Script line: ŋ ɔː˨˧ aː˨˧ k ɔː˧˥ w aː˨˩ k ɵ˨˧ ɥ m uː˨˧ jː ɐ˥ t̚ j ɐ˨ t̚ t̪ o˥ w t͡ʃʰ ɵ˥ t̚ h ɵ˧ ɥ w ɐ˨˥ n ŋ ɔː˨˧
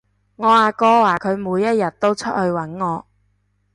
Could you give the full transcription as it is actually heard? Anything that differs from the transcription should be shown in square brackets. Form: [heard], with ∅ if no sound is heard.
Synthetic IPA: ŋ ɔː˨˧ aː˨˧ k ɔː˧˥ w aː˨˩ [kʰ] ɵ˨˧ ɥ m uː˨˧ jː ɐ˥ t̚ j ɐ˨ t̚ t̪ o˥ w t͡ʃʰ ɵ˥ t̚ h ɵ˧ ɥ w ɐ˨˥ n ŋ ɔː˨˧